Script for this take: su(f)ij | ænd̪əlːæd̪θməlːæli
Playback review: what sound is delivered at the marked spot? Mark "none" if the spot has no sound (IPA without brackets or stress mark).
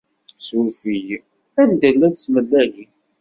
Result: f